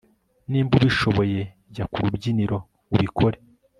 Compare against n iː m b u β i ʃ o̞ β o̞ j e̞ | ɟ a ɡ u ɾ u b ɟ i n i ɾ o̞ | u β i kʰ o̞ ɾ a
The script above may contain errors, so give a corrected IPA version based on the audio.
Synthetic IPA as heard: n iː m b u β i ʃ o̞ β o̞ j e̞ | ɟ a k u ɾ u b ɟ i n i ɾ o̞ | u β i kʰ o̞ ɾ e